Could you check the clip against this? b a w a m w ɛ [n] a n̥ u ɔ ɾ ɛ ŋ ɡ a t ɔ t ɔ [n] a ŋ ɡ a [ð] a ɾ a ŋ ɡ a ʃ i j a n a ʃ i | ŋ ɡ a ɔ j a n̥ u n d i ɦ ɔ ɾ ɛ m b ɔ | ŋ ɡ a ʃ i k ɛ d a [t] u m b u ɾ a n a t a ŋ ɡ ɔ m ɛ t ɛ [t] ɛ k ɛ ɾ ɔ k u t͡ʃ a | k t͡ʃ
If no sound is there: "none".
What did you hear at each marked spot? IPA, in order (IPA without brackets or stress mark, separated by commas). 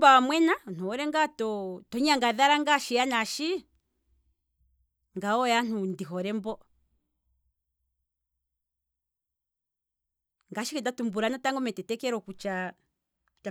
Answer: n, ɲ, ð, t, t